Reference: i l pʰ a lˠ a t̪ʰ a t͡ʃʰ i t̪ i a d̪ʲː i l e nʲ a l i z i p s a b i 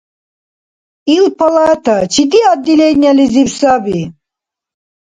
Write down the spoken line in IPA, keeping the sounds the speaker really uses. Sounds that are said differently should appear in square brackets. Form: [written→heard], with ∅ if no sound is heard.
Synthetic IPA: i l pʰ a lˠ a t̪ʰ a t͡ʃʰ i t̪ i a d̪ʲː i l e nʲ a l i z i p s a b i